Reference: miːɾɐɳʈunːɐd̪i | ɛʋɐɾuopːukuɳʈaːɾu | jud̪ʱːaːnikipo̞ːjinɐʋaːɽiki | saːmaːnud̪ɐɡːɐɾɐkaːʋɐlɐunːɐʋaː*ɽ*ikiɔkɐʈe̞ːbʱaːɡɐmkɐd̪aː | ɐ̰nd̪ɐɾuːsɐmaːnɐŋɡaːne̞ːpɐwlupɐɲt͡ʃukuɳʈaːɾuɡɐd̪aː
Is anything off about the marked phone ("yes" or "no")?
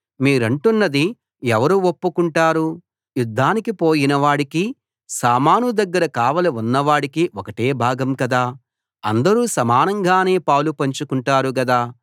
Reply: no